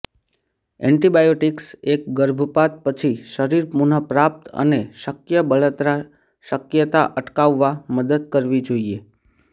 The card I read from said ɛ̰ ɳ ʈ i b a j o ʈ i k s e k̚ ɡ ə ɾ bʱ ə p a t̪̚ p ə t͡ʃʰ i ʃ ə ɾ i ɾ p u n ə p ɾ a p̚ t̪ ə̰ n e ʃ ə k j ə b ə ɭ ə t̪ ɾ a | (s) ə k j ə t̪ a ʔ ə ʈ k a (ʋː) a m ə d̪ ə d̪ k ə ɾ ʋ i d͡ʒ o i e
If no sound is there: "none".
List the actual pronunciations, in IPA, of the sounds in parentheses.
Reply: ʃ, ʋː

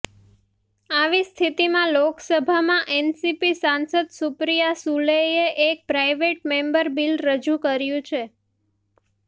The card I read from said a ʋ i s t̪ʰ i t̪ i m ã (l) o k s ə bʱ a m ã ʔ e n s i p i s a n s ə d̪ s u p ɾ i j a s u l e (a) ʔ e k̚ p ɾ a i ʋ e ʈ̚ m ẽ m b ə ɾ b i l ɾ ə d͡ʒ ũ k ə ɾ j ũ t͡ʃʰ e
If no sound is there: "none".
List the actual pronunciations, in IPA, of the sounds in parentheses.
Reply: l, e

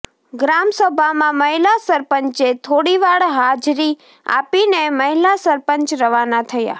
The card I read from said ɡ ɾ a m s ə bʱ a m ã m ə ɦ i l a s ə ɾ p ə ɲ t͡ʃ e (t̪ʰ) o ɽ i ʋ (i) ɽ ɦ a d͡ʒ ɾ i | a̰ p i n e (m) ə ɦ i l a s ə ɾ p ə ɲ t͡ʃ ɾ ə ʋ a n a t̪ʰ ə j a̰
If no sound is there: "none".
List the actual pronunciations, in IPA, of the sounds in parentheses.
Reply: t̪ʰ, a, m

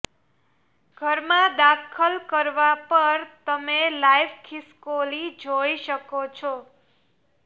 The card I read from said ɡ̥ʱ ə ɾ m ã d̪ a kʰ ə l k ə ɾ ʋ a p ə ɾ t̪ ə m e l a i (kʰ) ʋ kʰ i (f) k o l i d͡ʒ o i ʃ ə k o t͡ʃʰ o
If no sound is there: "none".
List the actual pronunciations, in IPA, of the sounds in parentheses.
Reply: none, s

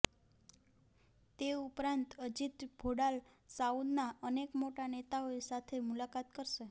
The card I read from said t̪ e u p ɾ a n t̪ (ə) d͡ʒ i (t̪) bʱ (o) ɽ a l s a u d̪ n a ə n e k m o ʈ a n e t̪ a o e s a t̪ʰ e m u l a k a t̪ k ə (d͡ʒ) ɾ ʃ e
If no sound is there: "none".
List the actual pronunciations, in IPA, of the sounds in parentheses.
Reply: ə, t̪, o, none

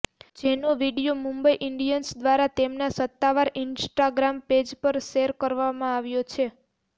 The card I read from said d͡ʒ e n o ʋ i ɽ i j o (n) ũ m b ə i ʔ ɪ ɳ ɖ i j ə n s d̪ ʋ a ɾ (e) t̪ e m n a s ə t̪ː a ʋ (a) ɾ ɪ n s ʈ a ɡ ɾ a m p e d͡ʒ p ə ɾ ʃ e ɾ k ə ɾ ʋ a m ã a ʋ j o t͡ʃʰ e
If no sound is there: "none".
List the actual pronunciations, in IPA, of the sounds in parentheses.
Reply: m, a, a

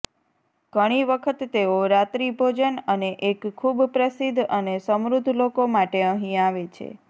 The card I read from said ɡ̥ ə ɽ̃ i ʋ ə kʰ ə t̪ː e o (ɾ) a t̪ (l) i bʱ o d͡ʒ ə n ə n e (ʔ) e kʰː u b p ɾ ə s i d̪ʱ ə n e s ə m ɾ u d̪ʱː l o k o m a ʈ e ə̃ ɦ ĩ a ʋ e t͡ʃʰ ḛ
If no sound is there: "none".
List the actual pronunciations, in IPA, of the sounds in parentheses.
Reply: ɾ, ɾ, ʔ

